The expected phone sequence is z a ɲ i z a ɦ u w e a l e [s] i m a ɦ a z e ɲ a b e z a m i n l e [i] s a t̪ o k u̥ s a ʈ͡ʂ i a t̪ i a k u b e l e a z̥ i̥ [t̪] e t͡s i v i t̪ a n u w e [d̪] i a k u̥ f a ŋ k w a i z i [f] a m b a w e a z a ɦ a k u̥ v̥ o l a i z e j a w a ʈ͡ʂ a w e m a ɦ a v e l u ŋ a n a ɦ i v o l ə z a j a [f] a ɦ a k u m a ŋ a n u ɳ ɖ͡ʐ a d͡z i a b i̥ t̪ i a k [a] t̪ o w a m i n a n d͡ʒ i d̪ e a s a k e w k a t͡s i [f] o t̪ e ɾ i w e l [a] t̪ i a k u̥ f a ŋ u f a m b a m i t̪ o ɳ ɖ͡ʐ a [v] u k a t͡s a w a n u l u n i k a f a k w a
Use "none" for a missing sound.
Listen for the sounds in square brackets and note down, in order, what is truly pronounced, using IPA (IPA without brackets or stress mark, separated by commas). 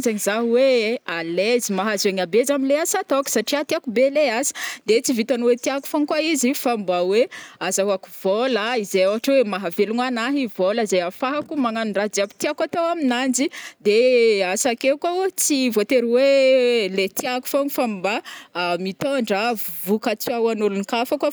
z, a, d̪, t̪, f, f, a, v, e, v